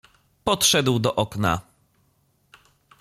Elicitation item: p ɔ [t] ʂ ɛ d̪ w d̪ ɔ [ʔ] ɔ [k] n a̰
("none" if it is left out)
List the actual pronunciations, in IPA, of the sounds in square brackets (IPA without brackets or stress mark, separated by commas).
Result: t, ʔ, k